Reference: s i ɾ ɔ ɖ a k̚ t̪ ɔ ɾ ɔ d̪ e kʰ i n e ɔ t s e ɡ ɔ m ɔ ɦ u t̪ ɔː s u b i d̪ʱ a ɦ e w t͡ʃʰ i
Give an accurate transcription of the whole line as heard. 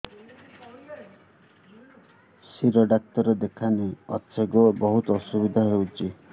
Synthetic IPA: s i ɾ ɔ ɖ a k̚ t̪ ɔ ɾ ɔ d̪ e kʰ a n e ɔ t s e ɡ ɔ b ɔ ɦ u t̪ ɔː s u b i d̪ʱ a ɦ e w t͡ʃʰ i